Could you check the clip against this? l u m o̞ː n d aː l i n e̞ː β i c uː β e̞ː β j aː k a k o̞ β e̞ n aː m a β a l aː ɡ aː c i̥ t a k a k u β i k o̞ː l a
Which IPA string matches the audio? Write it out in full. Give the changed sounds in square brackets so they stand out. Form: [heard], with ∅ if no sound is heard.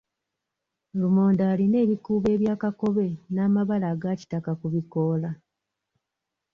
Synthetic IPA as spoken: l u m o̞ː n d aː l i n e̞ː β i [k] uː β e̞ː β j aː k a k o̞ β e̞ n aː m a β a l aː ɡ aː c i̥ t a k a k u β i k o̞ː l a